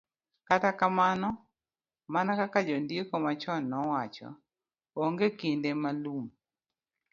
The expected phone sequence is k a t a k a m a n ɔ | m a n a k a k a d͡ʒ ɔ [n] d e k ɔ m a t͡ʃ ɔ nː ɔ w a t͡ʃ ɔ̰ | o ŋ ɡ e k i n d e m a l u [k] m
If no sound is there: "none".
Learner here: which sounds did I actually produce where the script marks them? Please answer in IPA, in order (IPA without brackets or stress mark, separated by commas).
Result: n, none